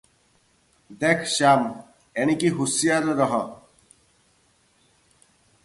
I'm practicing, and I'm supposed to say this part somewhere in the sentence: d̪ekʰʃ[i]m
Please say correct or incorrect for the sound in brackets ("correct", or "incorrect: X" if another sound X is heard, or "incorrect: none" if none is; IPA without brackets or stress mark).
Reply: incorrect: a